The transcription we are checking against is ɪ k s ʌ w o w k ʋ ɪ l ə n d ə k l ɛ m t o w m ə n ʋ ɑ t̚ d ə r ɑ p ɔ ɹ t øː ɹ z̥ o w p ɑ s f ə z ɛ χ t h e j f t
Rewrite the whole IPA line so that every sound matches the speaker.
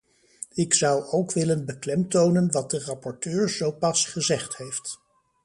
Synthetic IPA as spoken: ɪ k s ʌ w o w k ʋ ɪ l ə n b ə k l ɛ m t o w n ə n ʋ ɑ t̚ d ə r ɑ p ɔ ɹ t øː ɹ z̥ o w p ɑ s χ ə z ɛ χ t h e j f t